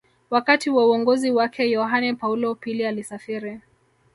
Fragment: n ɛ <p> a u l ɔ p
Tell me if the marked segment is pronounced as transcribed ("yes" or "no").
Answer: yes